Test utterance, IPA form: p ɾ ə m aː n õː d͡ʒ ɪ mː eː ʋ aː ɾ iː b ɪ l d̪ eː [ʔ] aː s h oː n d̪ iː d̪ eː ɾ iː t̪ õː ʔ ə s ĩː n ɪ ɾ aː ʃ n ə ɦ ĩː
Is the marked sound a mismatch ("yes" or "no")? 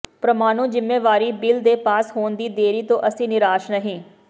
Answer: yes